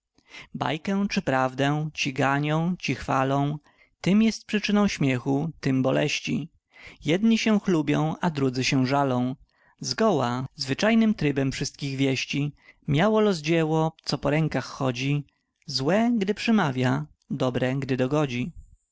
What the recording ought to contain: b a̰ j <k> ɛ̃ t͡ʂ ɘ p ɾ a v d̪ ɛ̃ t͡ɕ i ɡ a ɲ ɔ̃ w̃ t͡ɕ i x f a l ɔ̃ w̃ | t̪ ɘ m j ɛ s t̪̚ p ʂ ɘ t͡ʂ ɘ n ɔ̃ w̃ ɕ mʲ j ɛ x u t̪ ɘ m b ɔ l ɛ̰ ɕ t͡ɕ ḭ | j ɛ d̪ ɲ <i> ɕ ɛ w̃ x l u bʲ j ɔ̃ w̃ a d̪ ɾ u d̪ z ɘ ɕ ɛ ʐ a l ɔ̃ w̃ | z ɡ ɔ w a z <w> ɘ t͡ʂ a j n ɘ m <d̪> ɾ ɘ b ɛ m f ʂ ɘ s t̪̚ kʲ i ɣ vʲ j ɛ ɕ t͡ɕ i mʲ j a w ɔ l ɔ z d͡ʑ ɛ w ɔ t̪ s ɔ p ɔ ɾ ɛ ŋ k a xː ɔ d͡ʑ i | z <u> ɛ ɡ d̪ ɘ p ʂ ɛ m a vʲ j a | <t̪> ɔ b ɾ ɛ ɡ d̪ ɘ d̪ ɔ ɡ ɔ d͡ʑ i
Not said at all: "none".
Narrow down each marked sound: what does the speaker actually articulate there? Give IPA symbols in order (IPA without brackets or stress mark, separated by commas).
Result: k, i, v, t̪, w, d̪